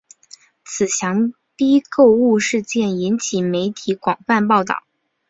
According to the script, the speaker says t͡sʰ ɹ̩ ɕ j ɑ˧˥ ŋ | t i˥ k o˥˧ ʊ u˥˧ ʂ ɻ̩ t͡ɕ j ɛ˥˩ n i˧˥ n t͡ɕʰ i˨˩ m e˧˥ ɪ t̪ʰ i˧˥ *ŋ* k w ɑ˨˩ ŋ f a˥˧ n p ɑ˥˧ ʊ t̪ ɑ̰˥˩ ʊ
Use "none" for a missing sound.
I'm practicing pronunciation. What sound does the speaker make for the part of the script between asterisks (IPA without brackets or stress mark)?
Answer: none